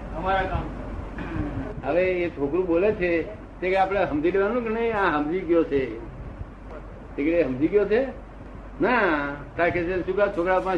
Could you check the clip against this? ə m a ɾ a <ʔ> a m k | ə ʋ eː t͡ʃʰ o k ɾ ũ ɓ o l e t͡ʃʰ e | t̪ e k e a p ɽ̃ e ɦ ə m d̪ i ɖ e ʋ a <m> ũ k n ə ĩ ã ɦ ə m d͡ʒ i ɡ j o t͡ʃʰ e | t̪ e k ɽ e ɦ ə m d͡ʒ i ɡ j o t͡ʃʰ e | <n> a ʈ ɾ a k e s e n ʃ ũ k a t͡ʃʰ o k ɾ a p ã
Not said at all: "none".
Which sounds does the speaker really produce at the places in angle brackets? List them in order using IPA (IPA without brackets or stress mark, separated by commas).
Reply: k, n, n